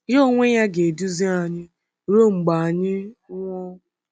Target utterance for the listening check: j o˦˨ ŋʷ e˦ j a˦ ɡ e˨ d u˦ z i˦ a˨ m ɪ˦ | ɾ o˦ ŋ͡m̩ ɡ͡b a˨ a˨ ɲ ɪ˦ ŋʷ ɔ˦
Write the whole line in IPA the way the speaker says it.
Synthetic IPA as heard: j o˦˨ ŋʷ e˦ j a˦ ɡ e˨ d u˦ z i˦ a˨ ɲ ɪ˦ | ɾ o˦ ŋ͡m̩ ɡ͡b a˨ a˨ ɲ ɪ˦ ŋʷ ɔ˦